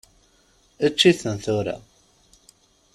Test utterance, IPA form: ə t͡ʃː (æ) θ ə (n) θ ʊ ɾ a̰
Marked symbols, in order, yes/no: no, yes

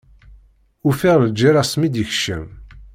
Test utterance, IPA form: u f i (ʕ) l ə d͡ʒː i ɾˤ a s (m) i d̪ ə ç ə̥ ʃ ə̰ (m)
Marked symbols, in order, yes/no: no, yes, yes

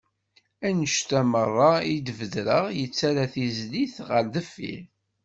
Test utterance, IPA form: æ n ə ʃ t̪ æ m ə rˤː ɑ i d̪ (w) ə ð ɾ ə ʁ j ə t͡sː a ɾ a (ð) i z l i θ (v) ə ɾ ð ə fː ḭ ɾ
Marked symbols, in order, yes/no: no, no, no

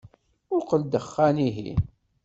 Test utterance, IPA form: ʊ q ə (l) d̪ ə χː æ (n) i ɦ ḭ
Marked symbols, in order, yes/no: yes, yes

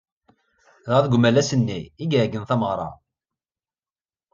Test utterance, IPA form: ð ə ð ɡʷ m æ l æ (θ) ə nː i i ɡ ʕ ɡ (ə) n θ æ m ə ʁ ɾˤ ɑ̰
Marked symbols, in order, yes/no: no, yes

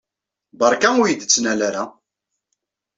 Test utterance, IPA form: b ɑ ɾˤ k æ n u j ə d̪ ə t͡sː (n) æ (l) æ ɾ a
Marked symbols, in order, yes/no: yes, yes

